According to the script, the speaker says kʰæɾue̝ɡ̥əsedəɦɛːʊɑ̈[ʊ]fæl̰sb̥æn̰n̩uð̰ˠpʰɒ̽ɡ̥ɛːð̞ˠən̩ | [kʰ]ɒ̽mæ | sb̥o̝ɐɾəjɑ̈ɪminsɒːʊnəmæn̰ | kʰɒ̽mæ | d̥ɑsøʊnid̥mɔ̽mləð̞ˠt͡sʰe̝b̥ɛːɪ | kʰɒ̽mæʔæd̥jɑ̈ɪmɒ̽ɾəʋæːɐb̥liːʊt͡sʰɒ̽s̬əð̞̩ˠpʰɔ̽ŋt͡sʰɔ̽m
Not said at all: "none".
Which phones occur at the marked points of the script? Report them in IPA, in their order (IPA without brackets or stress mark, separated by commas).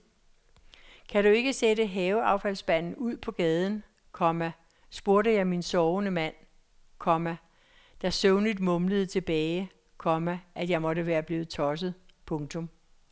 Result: ʊ, kʰ